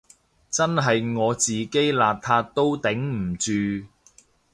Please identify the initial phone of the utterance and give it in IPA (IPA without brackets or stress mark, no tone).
t͡s